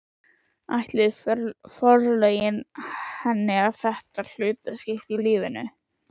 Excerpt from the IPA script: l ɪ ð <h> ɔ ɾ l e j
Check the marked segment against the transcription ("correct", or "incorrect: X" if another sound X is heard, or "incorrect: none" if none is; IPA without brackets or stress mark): incorrect: f